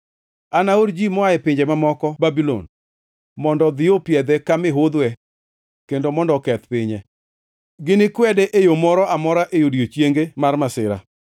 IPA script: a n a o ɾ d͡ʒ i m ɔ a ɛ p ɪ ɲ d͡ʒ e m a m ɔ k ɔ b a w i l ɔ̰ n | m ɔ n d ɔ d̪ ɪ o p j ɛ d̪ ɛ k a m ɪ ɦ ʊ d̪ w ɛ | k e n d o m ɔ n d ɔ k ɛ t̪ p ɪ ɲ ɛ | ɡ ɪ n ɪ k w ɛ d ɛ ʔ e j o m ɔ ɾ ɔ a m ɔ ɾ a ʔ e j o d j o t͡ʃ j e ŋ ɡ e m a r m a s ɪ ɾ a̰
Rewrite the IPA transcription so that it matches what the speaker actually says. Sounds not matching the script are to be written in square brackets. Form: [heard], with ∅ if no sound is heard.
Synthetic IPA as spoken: a n a o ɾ d͡ʒ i m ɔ a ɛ p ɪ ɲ d͡ʒ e m a m ɔ k ɔ b a [b] i l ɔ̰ n | m ɔ n d ɔ d̪ ɪ o p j ɛ d̪ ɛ k a m ɪ ɦ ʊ d̪ w ɛ | k e n d o m ɔ n d ɔ k ɛ t̪ p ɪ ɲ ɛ | ɡ ɪ n ɪ k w ɛ d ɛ ʔ e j o m ɔ ɾ ɔ a m ɔ ɾ a ʔ e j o d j o t͡ʃ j e ŋ ɡ e m a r m a s ɪ ɾ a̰

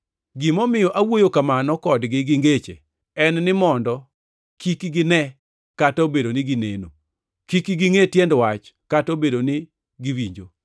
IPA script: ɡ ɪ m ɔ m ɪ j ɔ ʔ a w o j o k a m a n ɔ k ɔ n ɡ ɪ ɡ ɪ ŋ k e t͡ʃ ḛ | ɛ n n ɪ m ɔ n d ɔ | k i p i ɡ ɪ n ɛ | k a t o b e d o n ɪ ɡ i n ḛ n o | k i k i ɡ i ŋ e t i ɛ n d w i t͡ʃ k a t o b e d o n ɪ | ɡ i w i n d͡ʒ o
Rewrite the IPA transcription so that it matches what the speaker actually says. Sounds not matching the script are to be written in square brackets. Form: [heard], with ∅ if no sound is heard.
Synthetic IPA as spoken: ɡ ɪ m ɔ m ɪ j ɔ ʔ a w o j o k a m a n ɔ k ɔ [d] ɡ ɪ ɡ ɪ ŋ [ɡ] e t͡ʃ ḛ | ɛ n n ɪ m ɔ n d ɔ | k i [k] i ɡ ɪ n ɛ | k a t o b e d o n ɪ ɡ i n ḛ n o | k i k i ɡ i ŋ e t [j] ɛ n d w [a] t͡ʃ k a t o b e d o n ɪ | ɡ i w i [ɲ] d͡ʒ o

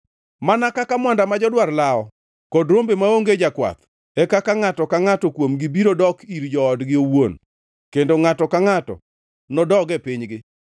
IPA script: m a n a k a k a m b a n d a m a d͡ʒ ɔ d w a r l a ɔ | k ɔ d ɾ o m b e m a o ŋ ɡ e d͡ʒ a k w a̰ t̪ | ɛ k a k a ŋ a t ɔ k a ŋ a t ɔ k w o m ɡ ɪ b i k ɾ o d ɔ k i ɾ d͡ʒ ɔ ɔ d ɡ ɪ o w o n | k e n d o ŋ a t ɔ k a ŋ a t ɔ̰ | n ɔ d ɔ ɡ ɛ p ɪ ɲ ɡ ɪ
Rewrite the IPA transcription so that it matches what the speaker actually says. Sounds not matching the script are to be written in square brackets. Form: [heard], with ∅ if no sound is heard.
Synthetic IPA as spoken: m a n a k a k a m [w] a n d a m a d͡ʒ ɔ d w a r l a ɔ | k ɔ d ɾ o m b e m a o ŋ ɡ e d͡ʒ a k w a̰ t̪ | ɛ k a k a ŋ a t ɔ k a ŋ a t ɔ k w o m ɡ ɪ b i [∅] ɾ o d ɔ k i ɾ d͡ʒ ɔ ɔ d ɡ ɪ o w o n | k e n d o ŋ a t ɔ k a ŋ a t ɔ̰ | n ɔ d ɔ ɡ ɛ p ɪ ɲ ɡ ɪ

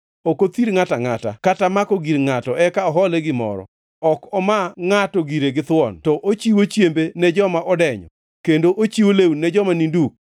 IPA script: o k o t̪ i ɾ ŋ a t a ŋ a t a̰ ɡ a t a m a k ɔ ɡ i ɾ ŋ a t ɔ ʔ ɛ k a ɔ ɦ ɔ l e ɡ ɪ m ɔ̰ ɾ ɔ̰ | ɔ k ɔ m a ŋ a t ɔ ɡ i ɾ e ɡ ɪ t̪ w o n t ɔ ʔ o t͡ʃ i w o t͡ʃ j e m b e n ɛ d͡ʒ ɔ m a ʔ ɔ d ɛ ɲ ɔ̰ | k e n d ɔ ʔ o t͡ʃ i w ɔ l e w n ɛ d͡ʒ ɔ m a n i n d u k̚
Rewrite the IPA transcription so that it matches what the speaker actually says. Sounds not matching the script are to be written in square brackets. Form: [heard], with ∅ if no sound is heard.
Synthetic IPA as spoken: o k o t̪ i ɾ ŋ a t a ŋ a t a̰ [k] a t a m a k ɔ ɡ i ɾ ŋ a t ɔ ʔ ɛ k a ɔ ɦ ɔ l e ɡ ɪ m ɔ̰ ɾ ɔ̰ | ɔ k ɔ m a ŋ a t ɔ ɡ i ɾ e ɡ ɪ t̪ w [ɔ] n t ɔ ʔ o t͡ʃ i w o t͡ʃ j e m b e n ɛ d͡ʒ ɔ m a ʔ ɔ d ɛ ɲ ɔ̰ | k e n d [o] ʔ o t͡ʃ i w [o] l e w n ɛ d͡ʒ ɔ m a n i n d u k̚

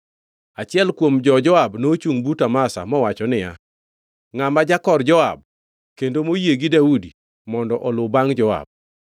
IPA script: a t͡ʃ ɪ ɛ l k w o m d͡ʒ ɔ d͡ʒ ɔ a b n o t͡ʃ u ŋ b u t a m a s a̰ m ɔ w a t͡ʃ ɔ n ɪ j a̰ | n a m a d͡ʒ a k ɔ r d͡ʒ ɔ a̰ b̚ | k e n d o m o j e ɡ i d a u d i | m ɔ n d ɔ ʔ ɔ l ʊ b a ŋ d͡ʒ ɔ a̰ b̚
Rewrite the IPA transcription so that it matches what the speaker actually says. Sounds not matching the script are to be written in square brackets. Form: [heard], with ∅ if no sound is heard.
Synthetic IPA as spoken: a t͡ʃ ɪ ɛ l k w o m d͡ʒ ɔ d͡ʒ ɔ a b n o t͡ʃ u ŋ b u t a m a s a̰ m ɔ w a t͡ʃ ɔ n ɪ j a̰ | [ŋ] a m a d͡ʒ a k ɔ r d͡ʒ ɔ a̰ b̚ | k e n d o m o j e ɡ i d a u d i | m ɔ n d ɔ ʔ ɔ l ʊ b a ŋ d͡ʒ ɔ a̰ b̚

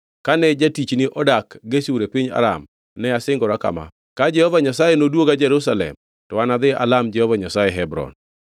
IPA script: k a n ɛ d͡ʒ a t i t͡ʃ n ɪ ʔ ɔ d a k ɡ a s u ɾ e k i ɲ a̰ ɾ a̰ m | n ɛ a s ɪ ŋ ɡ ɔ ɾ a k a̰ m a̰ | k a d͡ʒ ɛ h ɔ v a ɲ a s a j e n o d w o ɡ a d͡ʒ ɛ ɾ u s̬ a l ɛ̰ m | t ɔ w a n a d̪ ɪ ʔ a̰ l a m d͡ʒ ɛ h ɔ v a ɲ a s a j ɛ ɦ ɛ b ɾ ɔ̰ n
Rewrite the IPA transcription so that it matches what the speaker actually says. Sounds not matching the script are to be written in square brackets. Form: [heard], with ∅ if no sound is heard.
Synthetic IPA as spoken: k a n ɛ d͡ʒ a t i t͡ʃ n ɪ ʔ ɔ d a k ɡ [e] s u ɾ e [p] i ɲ a̰ ɾ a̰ m | n ɛ a s ɪ ŋ ɡ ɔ ɾ a k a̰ m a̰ | k a d͡ʒ ɛ h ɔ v a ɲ a s a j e n o d w o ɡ a d͡ʒ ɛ ɾ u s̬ a l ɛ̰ m | t ɔ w a n a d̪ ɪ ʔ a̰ l a m d͡ʒ ɛ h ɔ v a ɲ a s a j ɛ ɦ ɛ b ɾ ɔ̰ n

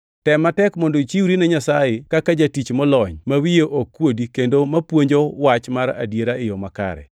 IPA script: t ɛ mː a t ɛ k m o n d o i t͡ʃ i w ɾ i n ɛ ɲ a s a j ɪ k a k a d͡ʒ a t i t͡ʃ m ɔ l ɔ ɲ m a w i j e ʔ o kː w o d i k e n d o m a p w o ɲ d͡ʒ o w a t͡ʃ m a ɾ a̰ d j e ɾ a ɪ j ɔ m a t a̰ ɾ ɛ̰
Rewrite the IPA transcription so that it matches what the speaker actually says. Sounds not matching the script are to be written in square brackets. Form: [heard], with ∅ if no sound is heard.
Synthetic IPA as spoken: t ɛ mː a t ɛ k m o n d o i t͡ʃ i w ɾ i n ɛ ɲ a s a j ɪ k a k a d͡ʒ a t i t͡ʃ m ɔ l ɔ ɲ m a w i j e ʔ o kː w o d i k e n d o m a p w o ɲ d͡ʒ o w a t͡ʃ m a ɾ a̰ d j e ɾ a ɪ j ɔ m a [k] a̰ ɾ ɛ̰

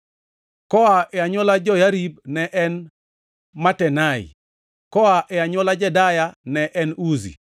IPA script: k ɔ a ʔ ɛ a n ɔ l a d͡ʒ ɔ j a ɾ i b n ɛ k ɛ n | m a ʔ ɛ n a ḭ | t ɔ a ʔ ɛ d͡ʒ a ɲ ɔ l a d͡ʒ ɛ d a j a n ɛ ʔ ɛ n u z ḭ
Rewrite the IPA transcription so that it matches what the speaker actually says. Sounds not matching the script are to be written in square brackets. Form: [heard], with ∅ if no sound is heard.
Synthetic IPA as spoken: k ɔ a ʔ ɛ a [ɲ] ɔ l a d͡ʒ ɔ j a ɾ i b n ɛ [ʔ] ɛ n | m a [t] ɛ n a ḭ | [k] ɔ a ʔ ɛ [∅] a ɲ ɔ l a d͡ʒ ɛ d a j a n ɛ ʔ ɛ n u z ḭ

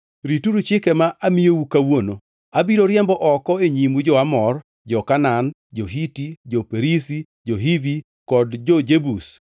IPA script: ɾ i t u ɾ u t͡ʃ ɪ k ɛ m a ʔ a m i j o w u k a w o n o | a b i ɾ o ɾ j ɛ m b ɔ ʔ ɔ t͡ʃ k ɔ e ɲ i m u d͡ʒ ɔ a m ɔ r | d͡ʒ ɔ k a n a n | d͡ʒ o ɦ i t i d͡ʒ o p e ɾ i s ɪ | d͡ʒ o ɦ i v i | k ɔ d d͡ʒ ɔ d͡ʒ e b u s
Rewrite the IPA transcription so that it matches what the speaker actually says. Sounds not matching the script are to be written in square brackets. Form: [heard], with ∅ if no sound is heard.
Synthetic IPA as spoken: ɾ i t u ɾ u t͡ʃ ɪ k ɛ m a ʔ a m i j o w u k a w o n o | a b i ɾ o ɾ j ɛ m b ɔ ʔ ɔ [∅] k ɔ e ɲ i m u d͡ʒ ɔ a m ɔ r | d͡ʒ ɔ k a n a n | d͡ʒ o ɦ i t i d͡ʒ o p e ɾ i s [i] | d͡ʒ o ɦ i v i | k ɔ d d͡ʒ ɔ d͡ʒ e b u s

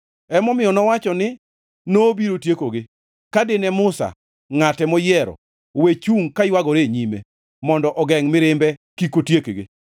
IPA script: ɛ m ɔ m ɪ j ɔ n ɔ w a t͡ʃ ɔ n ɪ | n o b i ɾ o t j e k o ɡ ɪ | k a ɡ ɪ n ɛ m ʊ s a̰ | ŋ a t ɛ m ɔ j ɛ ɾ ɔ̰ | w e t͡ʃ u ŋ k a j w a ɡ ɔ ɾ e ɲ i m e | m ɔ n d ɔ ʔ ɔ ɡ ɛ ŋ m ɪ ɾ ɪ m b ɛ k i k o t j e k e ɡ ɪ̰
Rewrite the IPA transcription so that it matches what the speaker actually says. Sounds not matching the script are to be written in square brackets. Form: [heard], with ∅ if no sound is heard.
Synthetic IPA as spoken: ɛ m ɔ m ɪ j ɔ n ɔ w a t͡ʃ ɔ n ɪ | n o b i ɾ o t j e k o ɡ ɪ | k a [d] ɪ n ɛ m ʊ s a̰ | ŋ a t ɛ m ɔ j ɛ ɾ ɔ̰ | w e t͡ʃ u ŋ k a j w a ɡ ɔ ɾ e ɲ i m e | m ɔ n d ɔ ʔ ɔ ɡ ɛ ŋ m ɪ ɾ ɪ m b ɛ k i k o t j e k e ɡ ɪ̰

